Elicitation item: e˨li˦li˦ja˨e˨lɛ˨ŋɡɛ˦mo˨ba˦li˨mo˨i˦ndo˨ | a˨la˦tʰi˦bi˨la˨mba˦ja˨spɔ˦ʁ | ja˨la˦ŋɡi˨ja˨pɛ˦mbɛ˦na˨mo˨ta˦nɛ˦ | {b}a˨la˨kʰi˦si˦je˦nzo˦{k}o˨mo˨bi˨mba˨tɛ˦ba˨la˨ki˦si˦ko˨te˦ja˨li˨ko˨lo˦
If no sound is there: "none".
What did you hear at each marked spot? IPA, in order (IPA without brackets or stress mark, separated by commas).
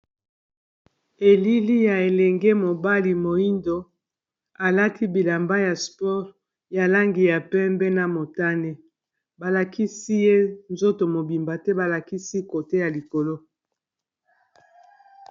b, t